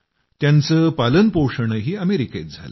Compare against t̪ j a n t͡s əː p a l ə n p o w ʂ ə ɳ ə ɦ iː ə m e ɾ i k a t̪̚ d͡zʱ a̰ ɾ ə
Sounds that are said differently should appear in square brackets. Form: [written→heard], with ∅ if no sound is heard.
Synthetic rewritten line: t̪ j a n t͡s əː p a l ə n p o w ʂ ə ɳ ə ɦ iː ə m e ɾ i k [a→e] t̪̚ d͡zʱ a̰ [ɾ→l] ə